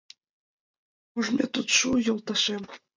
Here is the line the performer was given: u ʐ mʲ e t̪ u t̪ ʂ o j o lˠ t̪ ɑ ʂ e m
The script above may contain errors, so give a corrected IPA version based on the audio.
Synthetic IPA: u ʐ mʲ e t̪ u t̪ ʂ u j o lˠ t̪ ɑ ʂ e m